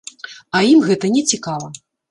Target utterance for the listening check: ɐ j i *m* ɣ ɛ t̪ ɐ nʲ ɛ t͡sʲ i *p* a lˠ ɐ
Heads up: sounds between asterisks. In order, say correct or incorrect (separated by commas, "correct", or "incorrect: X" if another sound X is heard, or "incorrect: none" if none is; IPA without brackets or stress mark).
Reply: correct, incorrect: k